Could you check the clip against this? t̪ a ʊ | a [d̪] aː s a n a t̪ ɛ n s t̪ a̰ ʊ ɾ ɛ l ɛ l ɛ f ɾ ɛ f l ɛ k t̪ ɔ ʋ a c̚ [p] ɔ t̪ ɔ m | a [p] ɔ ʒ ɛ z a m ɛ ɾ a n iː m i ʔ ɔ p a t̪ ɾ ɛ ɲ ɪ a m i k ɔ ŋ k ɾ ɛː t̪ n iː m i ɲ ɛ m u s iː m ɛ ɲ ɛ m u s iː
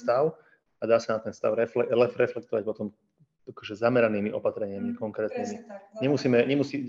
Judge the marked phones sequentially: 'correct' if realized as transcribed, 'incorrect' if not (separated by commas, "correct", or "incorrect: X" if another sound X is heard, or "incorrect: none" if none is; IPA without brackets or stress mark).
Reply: correct, correct, incorrect: k